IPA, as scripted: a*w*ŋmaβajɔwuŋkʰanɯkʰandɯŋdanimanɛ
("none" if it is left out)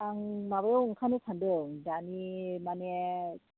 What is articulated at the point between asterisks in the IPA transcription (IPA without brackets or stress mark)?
none